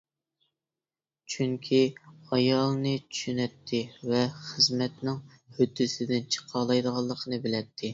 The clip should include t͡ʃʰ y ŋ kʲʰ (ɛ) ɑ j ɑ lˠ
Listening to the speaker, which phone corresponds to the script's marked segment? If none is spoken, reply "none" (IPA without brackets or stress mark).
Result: i